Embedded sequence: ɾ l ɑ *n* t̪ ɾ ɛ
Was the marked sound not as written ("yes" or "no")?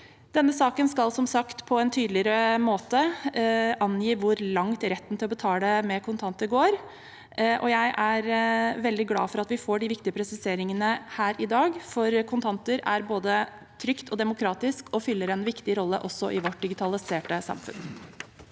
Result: yes